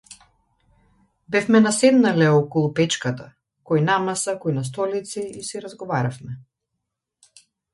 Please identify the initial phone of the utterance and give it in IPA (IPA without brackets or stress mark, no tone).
b